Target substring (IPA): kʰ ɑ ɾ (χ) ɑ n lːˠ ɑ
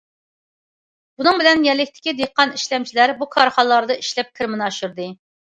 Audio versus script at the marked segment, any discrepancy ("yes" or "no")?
no